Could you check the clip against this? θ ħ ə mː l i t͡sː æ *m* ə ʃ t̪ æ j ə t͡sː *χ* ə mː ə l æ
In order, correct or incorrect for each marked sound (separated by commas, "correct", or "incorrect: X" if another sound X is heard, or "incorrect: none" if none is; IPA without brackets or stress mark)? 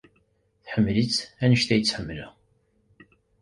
incorrect: n, incorrect: ħ